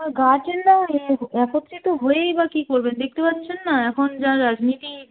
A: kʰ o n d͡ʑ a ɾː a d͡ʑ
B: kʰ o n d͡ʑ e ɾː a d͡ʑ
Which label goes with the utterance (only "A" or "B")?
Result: A